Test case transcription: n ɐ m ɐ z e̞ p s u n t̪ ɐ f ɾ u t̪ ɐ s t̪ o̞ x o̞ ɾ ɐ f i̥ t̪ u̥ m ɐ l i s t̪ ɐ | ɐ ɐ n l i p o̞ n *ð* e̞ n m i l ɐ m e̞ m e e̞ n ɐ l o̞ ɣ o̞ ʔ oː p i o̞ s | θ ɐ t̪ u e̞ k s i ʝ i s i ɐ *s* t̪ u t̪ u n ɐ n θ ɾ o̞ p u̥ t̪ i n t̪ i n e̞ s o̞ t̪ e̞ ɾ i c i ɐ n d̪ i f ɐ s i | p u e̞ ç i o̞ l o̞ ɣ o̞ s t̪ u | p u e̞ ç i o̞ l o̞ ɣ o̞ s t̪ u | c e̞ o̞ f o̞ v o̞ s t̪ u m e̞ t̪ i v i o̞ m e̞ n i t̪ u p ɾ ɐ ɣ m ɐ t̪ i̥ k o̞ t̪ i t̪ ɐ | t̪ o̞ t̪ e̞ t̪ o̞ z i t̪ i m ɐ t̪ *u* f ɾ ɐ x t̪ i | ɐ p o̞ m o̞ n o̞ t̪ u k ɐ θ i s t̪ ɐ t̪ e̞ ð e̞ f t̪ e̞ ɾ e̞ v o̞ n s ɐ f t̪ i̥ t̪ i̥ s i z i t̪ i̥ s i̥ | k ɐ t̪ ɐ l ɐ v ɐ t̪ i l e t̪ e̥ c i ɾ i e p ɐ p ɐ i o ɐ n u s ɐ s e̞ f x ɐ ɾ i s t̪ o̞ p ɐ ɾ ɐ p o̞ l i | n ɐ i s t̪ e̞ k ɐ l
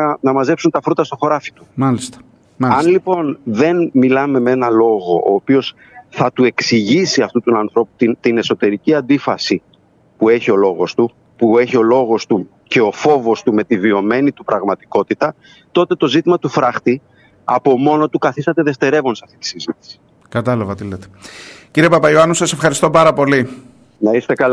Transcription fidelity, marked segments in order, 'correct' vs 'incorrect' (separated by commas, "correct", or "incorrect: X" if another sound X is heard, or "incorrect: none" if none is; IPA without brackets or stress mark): correct, incorrect: f, correct